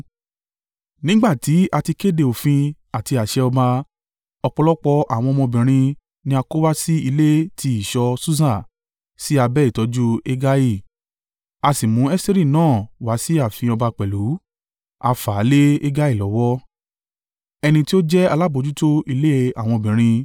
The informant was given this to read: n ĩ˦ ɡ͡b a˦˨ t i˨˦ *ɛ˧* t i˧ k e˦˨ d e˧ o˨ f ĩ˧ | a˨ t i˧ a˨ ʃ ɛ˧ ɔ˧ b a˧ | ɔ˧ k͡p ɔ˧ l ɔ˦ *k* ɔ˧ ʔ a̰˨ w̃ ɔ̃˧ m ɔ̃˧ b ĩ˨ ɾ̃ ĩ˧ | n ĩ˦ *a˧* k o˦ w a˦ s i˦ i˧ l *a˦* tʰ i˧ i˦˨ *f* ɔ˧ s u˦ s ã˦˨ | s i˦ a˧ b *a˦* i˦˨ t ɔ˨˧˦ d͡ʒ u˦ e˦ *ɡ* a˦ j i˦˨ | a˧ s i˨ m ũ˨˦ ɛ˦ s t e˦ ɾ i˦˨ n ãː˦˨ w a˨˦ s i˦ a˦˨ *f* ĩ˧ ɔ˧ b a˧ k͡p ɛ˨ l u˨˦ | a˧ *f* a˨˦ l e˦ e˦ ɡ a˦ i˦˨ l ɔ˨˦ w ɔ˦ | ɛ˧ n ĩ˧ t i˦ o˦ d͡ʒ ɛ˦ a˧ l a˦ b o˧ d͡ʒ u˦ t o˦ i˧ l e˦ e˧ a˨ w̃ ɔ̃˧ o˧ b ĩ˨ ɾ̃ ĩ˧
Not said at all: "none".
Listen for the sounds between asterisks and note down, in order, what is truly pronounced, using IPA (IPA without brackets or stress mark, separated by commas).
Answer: a˧, k͡p, a˧, e˦, ʃ, ɛ˦, ɡ, f, f